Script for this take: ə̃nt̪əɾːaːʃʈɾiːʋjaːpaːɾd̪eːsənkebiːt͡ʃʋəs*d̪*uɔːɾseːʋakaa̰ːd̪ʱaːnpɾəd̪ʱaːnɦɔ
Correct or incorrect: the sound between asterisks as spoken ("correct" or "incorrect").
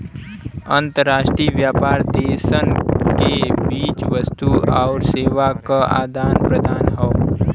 incorrect